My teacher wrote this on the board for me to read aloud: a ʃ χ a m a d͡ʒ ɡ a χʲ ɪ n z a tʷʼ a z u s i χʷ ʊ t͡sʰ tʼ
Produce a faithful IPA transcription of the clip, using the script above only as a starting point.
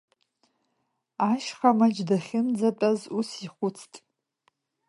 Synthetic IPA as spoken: a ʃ χ a m a d͡ʒ d a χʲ ɪ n d͡z a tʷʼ a z u s i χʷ ʊ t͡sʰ tʼ